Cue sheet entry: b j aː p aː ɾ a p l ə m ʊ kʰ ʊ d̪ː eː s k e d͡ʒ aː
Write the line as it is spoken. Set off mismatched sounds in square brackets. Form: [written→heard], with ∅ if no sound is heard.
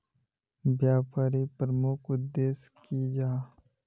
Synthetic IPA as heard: b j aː p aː ɾ [a→i] p [l→ɾ] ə m ʊ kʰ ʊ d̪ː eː s k [e→i] d͡ʒ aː